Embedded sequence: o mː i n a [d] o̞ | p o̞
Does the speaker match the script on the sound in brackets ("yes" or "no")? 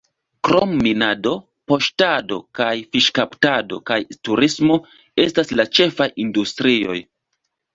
yes